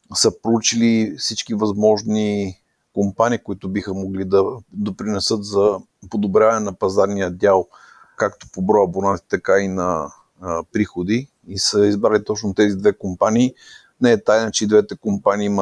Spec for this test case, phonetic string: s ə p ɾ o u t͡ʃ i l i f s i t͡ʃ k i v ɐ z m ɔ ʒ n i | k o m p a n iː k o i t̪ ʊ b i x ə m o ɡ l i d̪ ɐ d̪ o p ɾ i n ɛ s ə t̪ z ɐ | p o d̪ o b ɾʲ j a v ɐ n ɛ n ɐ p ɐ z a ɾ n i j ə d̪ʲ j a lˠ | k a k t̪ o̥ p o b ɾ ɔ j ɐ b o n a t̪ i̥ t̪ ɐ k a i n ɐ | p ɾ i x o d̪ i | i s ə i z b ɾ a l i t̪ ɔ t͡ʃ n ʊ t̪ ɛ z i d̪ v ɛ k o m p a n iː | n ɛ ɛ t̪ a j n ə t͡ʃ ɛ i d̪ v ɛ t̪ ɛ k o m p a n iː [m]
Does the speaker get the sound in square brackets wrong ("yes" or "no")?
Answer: no